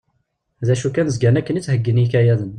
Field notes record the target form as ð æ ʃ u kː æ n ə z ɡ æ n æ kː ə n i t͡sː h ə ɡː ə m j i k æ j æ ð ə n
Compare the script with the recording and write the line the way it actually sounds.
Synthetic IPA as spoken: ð æ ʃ u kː æ n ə z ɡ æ n æ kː ə n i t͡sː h ə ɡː ə n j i k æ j æ ð ə n

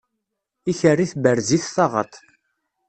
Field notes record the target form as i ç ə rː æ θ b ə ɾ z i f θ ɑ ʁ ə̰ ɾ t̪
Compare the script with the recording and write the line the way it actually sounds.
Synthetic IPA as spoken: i ç ə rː i θ b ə ɾ z i θ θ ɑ ʁ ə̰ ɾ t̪

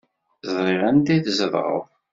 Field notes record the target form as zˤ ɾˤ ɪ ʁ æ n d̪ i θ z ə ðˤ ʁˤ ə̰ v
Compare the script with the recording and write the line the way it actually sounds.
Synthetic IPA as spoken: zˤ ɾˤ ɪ ʁ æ n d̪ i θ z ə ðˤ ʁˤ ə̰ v

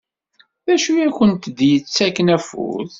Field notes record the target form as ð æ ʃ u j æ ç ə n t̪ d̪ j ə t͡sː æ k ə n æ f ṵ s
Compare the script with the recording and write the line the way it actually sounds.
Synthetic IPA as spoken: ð æ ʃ u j æ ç ə n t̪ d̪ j ə t͡sː æ k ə n æ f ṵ θ

